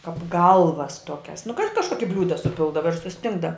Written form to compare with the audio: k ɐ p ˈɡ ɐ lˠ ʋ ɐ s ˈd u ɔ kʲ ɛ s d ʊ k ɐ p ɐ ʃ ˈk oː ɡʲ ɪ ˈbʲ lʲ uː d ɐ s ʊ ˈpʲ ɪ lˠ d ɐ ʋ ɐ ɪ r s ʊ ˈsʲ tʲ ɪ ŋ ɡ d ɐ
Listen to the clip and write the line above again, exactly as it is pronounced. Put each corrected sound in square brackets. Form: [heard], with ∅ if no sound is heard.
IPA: k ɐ p ˈɡ ɐ lˠ ʋ ɐ s [ˈt] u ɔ kʲ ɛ s [n] ʊ k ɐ [k] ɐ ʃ ˈk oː [kʲ] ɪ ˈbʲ lʲ uː d ɐ s ʊ ˈpʲ ɪ lˠ d ɐ ʋ ɐ ɪ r s ʊ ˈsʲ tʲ ɪ ŋ ɡ d ɐ